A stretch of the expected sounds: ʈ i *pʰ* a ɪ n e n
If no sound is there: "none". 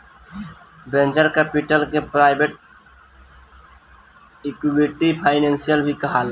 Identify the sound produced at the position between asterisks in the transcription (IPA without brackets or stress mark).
pʰ